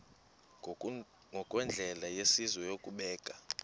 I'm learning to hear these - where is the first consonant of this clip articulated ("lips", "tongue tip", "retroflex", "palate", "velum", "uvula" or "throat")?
velum